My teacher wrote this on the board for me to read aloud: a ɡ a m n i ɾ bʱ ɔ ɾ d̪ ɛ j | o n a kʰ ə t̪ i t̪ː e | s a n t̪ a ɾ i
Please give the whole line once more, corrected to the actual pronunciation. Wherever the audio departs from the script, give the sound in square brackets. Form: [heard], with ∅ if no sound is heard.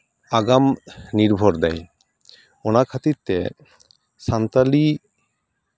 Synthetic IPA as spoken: a ɡ a m n i ɾ bʱ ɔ ɾ d̪ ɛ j | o n a kʰ [a] t̪ i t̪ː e | s a n t̪ a [l] i